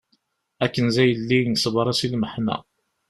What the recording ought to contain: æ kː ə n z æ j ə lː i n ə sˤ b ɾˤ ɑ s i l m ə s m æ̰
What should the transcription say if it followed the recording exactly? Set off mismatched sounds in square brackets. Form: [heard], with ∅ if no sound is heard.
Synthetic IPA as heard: æ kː ə n z æ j ə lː i n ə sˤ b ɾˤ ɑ s i l m ə [ħ] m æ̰